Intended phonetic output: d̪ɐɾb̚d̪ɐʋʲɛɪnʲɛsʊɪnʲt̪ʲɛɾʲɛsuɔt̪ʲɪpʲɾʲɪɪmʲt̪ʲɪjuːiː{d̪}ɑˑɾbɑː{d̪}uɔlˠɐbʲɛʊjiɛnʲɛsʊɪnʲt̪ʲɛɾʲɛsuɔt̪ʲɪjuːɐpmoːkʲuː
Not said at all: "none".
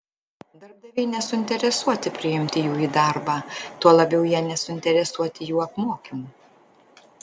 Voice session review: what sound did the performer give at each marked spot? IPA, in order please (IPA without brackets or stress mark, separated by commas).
d̪, t̪